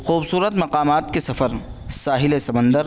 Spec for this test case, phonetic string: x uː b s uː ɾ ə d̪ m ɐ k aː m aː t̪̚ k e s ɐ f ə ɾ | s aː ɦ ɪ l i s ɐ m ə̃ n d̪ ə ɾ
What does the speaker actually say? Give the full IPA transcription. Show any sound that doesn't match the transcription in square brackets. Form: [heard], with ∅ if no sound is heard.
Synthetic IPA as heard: x uː b s uː ɾ ə [t̪] m ɐ [q] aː m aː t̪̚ k e s ɐ f ə ɾ | s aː ɦ ɪ l [e] s ɐ m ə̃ n d̪ ə ɾ